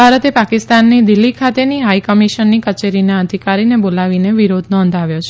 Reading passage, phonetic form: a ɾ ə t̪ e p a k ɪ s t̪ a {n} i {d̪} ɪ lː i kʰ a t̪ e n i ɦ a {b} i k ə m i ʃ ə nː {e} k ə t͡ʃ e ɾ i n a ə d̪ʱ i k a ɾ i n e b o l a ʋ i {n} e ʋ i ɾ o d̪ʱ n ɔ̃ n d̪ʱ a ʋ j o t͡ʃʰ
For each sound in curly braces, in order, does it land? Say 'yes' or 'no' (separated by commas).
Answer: no, yes, no, no, yes